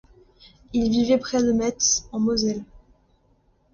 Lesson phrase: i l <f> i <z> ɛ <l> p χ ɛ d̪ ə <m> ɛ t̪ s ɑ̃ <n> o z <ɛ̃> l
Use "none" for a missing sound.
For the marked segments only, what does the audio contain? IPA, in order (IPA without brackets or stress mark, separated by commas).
v, v, none, m, m, ɛ